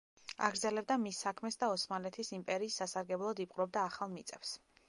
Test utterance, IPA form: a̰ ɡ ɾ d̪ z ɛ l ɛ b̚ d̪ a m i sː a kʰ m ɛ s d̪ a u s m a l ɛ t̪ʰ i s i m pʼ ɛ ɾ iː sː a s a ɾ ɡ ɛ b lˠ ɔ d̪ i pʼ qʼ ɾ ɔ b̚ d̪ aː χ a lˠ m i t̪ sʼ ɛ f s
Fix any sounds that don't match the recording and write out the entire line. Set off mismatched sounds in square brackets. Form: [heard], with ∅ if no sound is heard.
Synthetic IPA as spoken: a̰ ɡ ɾ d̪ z ɛ l ɛ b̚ d̪ a m i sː a kʰ m ɛ s d̪ a [ɔ] s m a l ɛ t̪ʰ i s i m pʼ ɛ ɾ iː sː a s a ɾ ɡ ɛ b lˠ ɔ d̪ i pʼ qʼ ɾ ɔ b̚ d̪ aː χ a lˠ m i t̪ sʼ ɛ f s